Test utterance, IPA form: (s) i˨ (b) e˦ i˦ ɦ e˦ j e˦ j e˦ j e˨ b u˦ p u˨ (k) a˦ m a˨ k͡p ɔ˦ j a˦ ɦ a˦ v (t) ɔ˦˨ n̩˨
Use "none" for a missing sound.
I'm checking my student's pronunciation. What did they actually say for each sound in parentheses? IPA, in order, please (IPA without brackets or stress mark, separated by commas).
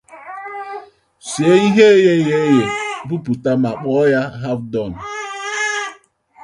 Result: s, none, t, d